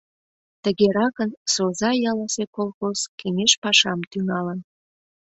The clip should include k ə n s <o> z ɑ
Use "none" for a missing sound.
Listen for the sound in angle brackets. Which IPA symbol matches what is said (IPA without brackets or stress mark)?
o